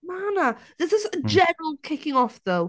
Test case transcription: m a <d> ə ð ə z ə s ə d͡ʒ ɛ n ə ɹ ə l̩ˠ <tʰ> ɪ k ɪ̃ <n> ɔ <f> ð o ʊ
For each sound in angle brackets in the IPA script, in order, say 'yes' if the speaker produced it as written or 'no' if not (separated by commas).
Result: no, no, no, yes